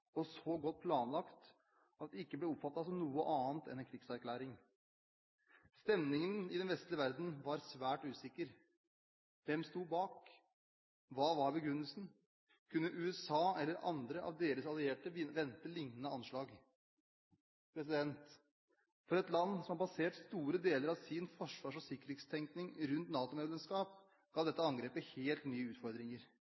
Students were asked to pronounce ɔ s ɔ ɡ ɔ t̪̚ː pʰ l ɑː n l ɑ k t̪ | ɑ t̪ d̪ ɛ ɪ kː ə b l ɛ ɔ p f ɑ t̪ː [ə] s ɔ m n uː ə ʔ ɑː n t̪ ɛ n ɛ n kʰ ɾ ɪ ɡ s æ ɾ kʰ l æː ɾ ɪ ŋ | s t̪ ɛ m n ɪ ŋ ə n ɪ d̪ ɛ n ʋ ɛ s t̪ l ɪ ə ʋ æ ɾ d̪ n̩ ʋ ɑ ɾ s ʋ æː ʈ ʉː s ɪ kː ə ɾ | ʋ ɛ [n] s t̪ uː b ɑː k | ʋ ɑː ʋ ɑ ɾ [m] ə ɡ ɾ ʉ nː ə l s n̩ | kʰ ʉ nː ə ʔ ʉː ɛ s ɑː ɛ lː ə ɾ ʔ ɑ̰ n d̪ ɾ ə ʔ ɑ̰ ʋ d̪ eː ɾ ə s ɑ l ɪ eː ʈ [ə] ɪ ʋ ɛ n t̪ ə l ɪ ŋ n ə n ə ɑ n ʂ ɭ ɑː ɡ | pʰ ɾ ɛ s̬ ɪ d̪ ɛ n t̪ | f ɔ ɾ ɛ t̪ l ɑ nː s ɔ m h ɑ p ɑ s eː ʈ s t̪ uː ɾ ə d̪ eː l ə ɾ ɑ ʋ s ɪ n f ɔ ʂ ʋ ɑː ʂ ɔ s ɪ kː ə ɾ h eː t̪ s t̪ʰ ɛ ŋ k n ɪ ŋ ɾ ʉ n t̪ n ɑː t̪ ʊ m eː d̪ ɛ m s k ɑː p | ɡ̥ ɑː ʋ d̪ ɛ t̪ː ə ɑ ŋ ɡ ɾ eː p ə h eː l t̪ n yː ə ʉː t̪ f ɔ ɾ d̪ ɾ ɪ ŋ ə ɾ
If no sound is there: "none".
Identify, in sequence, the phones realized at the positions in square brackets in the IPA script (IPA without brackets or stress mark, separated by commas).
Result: ɑ, m, b, ə